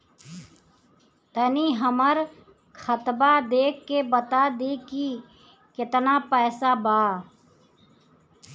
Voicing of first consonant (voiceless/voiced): voiceless